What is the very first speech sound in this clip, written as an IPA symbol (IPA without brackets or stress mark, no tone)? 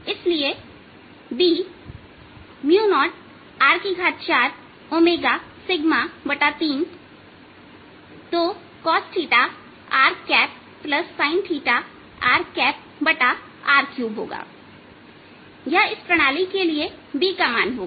ɪ